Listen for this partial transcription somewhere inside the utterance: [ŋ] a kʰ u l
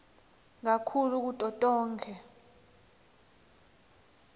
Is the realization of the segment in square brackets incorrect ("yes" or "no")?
no